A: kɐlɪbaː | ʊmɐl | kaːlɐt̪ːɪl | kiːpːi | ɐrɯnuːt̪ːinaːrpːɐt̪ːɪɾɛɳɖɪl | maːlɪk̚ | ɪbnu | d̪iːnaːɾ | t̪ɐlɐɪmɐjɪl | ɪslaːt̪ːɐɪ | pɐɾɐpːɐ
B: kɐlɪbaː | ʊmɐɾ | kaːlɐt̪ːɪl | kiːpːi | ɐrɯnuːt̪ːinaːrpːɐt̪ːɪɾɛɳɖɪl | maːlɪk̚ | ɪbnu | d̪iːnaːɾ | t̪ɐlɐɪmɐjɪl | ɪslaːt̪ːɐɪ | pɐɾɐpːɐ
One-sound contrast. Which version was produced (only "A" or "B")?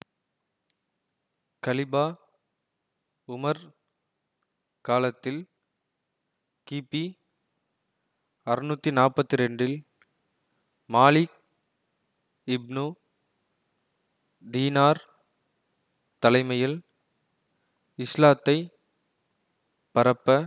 B